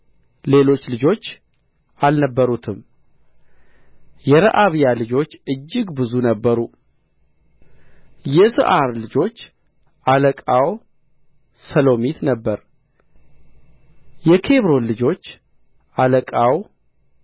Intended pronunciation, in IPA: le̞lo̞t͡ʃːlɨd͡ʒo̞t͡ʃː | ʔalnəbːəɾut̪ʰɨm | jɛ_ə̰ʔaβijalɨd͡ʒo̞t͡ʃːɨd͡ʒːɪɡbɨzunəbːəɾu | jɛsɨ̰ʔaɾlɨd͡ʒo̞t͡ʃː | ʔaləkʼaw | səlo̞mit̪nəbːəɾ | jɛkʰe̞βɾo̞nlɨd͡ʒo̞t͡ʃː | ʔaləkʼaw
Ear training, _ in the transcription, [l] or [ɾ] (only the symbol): ɾ